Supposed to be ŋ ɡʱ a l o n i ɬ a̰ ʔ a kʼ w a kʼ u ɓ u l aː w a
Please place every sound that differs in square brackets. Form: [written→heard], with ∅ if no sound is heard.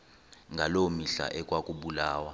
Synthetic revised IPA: ŋ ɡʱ a l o [n→m] i ɬ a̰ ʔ [a→ɛ] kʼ w a kʼ u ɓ u l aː w a